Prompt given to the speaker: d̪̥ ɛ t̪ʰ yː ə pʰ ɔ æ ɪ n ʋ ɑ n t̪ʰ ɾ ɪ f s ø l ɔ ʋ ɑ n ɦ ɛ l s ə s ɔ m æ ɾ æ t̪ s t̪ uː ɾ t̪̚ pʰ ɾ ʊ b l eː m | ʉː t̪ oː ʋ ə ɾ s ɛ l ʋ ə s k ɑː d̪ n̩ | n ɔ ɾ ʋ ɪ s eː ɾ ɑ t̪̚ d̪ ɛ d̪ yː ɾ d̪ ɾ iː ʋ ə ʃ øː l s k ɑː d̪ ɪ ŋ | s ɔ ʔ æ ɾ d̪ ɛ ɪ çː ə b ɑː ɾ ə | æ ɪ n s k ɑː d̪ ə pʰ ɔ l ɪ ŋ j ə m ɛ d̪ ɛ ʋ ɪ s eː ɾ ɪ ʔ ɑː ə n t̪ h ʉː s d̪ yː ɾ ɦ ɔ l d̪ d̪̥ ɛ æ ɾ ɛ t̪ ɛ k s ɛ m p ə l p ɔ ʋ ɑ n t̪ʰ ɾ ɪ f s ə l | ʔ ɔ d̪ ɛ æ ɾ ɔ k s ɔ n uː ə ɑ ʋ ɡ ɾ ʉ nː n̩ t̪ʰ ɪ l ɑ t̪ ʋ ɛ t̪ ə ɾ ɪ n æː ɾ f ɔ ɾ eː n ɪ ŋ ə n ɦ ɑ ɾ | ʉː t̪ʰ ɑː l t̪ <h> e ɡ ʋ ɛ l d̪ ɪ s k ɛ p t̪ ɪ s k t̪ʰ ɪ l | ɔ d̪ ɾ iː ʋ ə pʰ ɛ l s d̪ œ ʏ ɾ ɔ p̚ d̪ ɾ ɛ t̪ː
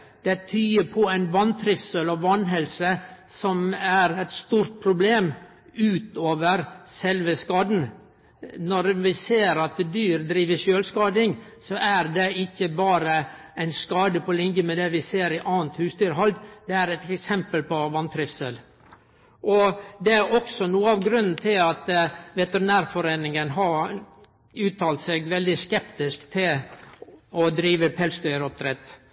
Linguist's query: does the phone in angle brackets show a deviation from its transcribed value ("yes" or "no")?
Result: yes